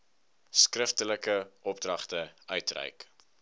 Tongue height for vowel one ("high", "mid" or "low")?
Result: mid